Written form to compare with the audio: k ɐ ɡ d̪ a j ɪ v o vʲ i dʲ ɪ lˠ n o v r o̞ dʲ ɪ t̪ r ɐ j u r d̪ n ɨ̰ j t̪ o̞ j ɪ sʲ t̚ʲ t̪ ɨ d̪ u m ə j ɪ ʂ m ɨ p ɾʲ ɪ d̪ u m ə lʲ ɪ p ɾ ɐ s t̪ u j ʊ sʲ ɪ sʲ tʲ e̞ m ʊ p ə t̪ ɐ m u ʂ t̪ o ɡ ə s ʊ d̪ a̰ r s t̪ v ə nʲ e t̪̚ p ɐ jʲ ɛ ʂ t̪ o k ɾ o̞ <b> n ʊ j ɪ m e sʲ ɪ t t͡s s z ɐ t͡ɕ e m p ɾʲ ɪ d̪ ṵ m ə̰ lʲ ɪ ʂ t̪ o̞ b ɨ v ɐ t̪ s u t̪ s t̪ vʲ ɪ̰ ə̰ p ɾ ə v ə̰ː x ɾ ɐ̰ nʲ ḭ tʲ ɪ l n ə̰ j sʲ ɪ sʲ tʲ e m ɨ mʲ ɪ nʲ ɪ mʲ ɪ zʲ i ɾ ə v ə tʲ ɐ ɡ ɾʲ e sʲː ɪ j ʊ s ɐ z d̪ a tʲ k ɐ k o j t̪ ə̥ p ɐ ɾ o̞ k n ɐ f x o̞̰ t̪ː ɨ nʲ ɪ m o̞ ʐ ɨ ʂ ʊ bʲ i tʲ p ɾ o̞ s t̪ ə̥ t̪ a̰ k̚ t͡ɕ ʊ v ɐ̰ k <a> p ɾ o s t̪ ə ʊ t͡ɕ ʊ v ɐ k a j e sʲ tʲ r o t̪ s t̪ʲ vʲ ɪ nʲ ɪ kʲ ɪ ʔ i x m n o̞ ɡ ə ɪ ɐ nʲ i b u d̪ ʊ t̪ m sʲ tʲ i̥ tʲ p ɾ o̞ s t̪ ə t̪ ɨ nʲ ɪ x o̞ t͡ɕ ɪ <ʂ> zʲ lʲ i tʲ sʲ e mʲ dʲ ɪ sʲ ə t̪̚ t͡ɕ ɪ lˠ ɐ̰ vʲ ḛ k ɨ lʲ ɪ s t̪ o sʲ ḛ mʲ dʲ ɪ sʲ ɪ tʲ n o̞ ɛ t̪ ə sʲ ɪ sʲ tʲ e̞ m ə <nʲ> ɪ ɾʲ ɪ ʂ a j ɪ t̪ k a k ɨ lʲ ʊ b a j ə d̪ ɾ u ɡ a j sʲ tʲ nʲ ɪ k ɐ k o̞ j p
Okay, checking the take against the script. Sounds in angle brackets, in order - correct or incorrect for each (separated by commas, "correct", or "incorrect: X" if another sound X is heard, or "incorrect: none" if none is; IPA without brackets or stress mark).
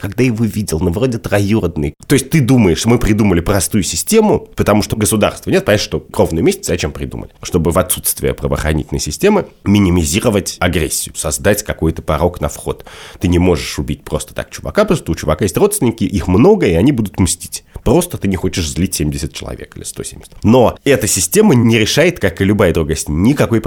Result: incorrect: v, correct, correct, correct